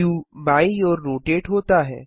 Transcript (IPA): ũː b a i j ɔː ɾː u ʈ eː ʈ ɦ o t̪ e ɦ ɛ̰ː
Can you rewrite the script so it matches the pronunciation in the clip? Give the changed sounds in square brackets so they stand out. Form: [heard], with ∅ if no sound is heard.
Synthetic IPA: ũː b a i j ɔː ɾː [o] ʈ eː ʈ ɦ o t̪ [a] ɦ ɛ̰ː